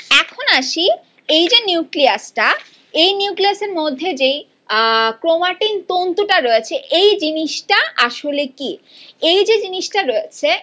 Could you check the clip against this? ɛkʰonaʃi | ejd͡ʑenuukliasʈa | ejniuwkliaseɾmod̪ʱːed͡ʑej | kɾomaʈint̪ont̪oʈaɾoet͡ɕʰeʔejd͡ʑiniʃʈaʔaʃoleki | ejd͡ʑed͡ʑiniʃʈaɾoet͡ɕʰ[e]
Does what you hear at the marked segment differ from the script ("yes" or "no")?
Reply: no